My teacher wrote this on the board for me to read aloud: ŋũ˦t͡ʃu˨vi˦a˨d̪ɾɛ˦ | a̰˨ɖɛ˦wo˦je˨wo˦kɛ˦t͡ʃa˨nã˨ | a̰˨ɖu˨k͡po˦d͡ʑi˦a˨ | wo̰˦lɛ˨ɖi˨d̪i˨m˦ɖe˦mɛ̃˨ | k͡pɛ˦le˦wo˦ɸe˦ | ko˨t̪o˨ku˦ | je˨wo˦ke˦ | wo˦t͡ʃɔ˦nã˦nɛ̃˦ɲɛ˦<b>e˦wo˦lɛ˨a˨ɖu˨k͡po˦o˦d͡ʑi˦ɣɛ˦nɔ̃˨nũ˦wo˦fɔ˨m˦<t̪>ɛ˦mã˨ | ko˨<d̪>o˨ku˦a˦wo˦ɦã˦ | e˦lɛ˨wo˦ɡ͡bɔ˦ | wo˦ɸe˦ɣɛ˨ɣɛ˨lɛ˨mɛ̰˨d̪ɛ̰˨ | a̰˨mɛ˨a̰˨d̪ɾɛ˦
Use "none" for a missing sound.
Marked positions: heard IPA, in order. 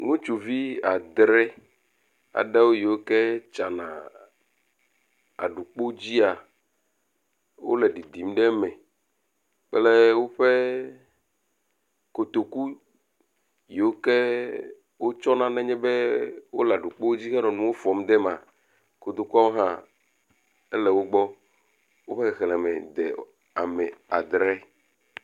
b, d̪, d̪

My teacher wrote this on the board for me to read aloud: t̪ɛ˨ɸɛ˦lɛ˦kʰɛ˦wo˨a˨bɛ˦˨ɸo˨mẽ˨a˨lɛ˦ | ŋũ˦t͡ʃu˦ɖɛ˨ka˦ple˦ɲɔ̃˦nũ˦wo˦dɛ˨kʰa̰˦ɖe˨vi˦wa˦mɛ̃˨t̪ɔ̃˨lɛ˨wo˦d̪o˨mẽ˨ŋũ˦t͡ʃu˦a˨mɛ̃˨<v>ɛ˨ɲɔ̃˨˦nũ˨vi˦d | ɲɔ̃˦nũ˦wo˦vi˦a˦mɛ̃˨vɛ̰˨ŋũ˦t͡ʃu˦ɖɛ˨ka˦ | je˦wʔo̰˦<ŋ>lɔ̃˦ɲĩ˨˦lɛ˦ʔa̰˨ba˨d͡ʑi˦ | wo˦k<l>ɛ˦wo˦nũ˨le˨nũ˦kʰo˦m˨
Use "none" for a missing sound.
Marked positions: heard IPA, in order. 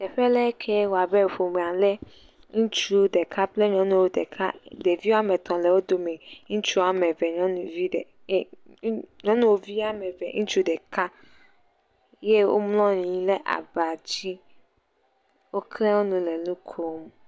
v, m, l

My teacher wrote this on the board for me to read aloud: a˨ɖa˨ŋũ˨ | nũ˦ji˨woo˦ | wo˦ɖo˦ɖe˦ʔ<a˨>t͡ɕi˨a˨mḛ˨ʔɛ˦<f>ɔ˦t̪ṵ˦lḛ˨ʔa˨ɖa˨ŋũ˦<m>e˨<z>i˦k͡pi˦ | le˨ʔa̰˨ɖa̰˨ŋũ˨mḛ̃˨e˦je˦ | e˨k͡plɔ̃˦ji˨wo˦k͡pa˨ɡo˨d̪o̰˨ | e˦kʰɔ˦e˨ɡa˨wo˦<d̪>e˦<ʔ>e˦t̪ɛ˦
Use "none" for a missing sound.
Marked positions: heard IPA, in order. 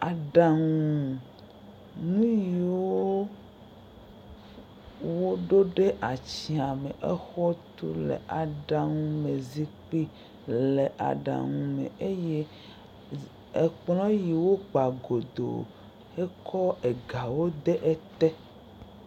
a˨, x, m, z, d̪, ʔ

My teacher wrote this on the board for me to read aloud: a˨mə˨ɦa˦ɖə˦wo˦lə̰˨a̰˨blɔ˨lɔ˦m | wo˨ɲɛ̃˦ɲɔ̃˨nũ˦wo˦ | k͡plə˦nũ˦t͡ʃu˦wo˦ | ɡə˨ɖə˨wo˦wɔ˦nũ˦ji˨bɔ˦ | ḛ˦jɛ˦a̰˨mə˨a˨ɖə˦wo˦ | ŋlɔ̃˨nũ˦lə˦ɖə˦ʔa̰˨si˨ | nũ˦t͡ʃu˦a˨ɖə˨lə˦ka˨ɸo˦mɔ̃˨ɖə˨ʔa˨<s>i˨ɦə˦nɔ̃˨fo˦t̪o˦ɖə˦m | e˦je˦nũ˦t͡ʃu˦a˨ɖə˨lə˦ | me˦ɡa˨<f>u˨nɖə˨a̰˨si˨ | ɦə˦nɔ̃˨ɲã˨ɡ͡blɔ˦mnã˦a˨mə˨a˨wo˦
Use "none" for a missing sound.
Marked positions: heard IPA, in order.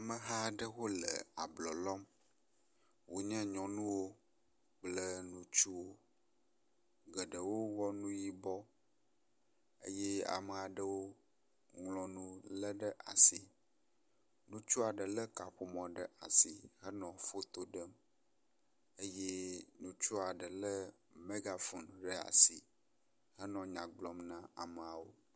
s, f

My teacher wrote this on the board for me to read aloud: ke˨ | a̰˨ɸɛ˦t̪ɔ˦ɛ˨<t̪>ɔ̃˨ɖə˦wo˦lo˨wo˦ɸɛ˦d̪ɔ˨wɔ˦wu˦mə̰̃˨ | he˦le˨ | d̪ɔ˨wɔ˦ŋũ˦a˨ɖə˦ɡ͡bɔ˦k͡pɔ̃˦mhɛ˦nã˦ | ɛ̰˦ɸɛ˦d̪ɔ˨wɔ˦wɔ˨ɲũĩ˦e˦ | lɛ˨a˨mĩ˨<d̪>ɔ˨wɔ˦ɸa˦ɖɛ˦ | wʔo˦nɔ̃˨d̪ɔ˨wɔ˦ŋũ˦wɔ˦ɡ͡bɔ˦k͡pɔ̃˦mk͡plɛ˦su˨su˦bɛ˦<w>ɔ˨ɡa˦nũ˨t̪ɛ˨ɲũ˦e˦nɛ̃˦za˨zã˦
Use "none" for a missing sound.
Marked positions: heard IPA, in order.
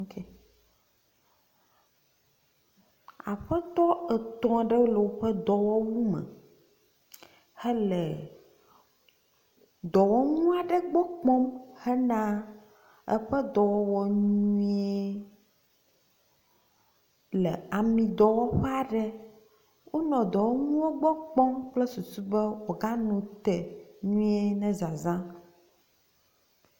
t̪, d̪, w

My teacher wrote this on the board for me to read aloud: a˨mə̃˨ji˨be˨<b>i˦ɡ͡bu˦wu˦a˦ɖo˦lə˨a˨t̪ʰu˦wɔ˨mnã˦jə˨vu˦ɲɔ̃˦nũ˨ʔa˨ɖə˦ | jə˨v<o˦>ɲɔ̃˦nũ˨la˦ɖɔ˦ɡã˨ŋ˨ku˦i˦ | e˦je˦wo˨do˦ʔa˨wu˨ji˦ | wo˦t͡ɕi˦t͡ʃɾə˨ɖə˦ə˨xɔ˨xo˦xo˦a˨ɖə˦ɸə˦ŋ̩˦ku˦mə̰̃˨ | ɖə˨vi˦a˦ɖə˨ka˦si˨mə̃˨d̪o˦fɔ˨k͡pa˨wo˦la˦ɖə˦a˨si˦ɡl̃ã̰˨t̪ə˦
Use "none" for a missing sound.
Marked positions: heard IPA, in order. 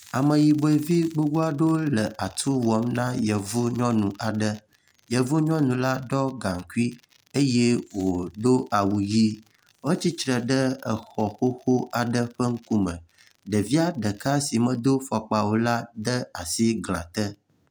v, u˦

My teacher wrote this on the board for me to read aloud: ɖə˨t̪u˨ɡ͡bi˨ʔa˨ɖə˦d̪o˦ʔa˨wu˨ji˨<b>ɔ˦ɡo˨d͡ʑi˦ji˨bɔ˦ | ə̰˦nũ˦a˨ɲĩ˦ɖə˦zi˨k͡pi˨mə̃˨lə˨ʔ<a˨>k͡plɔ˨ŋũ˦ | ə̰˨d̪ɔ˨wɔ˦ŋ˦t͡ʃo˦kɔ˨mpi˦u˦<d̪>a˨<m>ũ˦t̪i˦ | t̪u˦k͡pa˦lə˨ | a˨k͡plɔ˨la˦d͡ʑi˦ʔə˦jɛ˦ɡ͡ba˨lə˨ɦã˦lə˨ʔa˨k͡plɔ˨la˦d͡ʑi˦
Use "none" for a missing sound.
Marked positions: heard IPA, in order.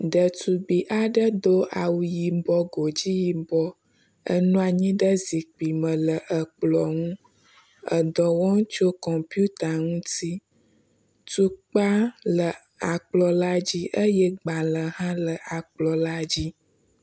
b, ə˨, t̪, ŋ

